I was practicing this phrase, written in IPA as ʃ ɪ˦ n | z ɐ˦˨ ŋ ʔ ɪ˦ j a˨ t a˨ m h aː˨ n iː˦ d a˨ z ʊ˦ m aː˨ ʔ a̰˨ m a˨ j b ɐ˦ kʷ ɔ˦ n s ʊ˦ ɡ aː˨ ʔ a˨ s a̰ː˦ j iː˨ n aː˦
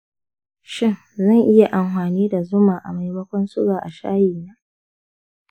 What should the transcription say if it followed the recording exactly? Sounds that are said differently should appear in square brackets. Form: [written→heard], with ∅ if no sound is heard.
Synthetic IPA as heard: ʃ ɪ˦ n | z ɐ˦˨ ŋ ʔ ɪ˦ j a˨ [t→ʔ] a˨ m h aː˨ n iː˦ d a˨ z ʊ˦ m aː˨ ʔ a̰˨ m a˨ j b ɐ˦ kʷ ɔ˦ n s ʊ˦ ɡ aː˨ ʔ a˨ [s→ʃ] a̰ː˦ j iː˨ n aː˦